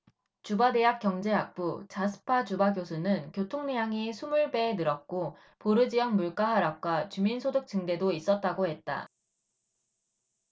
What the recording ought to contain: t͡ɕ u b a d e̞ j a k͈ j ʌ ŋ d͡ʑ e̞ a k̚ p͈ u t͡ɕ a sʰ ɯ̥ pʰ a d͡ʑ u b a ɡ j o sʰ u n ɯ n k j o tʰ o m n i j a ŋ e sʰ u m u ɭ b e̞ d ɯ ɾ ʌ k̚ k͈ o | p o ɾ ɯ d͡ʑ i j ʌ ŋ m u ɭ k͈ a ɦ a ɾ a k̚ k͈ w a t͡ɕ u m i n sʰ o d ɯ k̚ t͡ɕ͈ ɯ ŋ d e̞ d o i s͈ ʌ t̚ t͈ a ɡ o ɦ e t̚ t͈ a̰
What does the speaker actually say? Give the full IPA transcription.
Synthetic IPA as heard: t͡ɕ u b a d e̞ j a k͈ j ʌ ŋ d͡ʑ e̞ a k̚ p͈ u t͡ɕ a sʰ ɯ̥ pʰ a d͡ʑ u b a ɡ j o sʰ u n ɯ n k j o tʰ o ŋ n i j a ŋ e sʰ u m u ɭ b e̞ n ɯ ɾ ʌ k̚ k͈ o | p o ɾ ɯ d͡ʑ i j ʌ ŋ m u ɭ k͈ a ɦ a ɾ a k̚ k͈ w a t͡ɕ u m i n sʰ o d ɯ k̚ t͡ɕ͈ ɯ ŋ d e̞ d o i s͈ ʌ t̚ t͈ a ɡ o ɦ e t̚ t͈ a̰